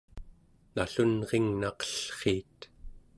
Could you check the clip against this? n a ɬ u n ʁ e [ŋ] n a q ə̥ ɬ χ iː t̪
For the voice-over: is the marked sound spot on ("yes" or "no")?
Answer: yes